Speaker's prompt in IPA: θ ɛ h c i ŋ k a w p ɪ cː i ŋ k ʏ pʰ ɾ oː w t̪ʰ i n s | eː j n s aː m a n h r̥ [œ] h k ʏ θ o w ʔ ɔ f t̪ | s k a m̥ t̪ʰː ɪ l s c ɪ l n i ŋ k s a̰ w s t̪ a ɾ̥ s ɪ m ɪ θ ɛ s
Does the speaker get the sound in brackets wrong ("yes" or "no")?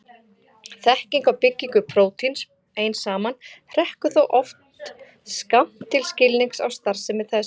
yes